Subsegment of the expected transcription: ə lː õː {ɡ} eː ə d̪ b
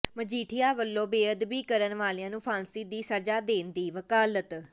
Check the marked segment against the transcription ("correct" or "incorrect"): incorrect